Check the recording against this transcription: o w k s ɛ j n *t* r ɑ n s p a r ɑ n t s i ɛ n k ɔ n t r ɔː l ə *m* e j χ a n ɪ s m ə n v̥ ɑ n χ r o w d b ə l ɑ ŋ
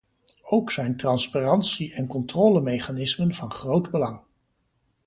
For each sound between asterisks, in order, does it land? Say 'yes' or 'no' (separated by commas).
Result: yes, yes